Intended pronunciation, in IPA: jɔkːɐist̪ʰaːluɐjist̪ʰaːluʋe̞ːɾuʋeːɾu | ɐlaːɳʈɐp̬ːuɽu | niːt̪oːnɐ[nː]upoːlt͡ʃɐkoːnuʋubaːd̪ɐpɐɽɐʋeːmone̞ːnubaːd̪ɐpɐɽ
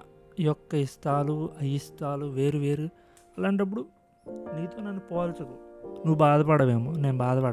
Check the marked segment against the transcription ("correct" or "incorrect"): correct